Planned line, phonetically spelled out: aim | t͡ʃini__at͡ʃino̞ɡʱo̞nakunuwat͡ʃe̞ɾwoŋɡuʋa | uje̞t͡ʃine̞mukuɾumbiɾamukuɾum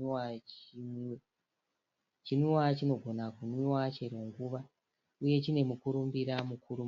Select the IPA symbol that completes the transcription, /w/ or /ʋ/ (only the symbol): w